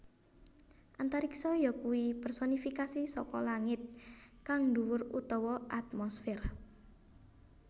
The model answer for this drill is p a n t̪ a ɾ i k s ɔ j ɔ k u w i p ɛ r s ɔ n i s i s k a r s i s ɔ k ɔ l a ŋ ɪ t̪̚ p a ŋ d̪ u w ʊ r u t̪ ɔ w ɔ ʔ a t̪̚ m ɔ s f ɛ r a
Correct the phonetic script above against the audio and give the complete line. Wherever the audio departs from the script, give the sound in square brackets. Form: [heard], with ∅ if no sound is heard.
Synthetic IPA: [ʔ] a n t̪ a ɾ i k s ɔ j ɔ k u w i p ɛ r s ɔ n i [f] i [∅] k a [∅] s i s ɔ k ɔ l a ŋ ɪ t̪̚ [k] a ŋ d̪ u w ʊ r u t̪ ɔ w ɔ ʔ a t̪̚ m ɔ s f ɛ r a